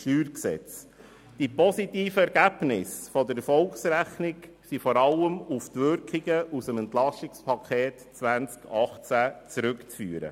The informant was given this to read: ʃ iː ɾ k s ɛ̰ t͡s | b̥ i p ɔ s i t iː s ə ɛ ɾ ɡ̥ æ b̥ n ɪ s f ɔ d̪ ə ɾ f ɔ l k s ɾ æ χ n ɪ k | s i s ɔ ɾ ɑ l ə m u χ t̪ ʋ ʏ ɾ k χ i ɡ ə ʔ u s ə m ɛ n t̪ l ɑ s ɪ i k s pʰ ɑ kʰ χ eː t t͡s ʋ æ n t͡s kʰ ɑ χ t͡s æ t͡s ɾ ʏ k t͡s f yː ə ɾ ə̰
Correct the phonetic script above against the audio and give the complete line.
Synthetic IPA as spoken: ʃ yː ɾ k s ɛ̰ t͡s | d̥ i p ɔ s i t iː f ə ɛ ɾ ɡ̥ æ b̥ n ɪ s f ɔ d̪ ə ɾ f ɔ l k s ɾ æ χ n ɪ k | s i f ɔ ɾ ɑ l ə m u f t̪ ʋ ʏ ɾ k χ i ɡ ə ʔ u s ə m ɛ n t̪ l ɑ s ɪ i k s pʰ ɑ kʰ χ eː t t͡s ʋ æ n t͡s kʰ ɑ χ t͡s æ t͡s ɾ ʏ k t͡s f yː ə ɾ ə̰